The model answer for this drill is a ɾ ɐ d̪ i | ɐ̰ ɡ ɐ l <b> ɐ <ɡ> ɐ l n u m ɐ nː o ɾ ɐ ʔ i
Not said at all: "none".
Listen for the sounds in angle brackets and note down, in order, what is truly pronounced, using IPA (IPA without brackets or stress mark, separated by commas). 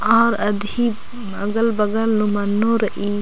b, ɡ